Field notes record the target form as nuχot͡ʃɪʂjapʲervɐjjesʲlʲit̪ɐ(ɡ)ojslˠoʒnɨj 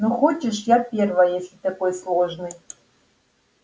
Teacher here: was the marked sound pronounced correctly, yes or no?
no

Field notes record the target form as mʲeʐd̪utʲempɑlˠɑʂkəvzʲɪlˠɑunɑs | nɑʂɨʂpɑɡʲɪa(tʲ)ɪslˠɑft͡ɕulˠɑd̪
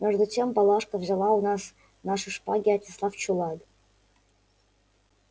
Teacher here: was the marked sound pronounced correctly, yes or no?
yes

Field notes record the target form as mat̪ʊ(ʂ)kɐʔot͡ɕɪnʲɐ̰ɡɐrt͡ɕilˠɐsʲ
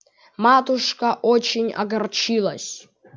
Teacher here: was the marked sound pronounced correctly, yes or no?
yes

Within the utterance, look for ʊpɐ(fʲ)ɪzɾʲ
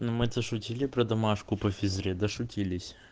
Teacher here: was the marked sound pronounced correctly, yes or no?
yes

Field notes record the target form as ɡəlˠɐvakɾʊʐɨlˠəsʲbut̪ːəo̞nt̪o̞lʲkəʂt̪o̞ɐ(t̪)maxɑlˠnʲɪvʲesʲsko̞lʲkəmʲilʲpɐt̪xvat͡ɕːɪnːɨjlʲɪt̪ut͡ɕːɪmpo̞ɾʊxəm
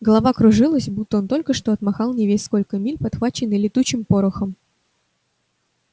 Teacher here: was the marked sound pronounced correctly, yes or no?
yes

